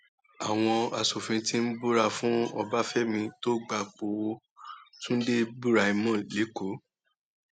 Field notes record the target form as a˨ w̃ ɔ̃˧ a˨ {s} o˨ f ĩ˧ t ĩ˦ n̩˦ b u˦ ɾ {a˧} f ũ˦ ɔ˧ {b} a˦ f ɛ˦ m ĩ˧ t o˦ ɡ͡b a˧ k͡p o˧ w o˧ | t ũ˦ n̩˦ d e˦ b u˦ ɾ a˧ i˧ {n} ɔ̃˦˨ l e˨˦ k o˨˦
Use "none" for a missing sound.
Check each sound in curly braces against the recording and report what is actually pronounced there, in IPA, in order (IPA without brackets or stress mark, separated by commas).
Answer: s, a˧, b, m